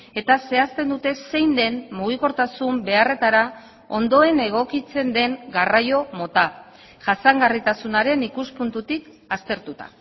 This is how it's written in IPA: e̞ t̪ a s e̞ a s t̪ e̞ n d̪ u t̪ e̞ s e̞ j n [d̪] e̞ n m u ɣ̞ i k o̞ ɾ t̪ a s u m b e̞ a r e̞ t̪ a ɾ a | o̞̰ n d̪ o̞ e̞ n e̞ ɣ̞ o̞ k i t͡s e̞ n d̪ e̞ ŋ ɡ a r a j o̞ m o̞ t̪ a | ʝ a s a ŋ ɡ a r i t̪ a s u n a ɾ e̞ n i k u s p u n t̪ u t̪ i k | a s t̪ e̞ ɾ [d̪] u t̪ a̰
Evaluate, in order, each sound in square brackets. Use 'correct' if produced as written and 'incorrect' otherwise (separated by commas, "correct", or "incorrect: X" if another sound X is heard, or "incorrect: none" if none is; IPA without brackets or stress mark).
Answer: correct, incorrect: t̪